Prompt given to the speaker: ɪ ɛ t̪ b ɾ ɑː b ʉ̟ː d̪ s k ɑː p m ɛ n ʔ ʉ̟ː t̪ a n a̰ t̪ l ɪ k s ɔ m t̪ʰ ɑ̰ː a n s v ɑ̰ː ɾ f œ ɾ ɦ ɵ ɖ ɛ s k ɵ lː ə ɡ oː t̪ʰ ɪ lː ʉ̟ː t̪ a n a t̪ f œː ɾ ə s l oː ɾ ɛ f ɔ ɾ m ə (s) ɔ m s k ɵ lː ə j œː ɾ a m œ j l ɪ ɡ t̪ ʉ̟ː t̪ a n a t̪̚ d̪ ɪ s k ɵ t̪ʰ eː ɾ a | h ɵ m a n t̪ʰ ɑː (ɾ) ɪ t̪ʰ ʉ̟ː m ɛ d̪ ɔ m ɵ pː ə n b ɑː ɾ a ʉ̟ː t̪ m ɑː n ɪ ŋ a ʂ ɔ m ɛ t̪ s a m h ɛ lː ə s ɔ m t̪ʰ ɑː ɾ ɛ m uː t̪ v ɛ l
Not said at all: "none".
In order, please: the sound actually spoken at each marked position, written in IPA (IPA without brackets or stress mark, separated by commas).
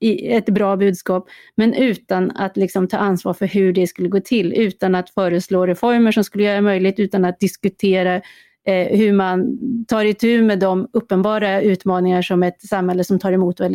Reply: ʂ, ɾ